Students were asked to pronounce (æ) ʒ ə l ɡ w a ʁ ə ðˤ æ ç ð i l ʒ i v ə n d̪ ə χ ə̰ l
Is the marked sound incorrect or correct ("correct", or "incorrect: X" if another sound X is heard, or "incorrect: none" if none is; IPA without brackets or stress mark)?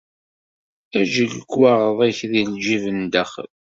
correct